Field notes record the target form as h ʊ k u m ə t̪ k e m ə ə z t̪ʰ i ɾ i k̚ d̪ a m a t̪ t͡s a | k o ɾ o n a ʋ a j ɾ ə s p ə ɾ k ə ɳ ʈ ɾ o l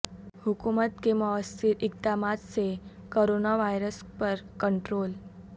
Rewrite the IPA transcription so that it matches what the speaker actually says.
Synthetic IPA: h u k u m ə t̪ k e m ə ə s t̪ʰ i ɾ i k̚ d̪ a m a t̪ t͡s e | k o ɾ o n a ʋ a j ɾ ə s p ə ɾ k ə ɳ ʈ ɾ o l